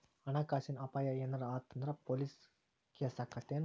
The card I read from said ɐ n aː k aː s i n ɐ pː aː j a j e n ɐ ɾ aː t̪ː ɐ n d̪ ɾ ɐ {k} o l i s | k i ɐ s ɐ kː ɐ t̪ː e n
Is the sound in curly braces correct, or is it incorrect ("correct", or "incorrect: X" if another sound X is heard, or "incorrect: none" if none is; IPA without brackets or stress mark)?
incorrect: p